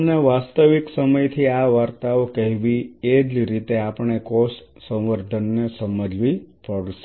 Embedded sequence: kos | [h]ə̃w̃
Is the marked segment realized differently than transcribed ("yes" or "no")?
yes